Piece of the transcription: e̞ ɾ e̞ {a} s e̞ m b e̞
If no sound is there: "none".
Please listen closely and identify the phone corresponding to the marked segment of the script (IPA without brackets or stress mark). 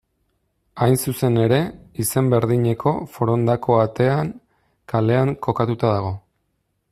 i